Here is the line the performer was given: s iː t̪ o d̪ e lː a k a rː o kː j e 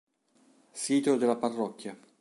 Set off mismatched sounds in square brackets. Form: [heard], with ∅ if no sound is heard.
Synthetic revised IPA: s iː t̪ o d̪ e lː a [p] a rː [ɔ] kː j [a]